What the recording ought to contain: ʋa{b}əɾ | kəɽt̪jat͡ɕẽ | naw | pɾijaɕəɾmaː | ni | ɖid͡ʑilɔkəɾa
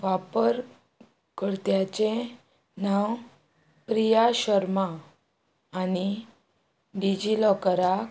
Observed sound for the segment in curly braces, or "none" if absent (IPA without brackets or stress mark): p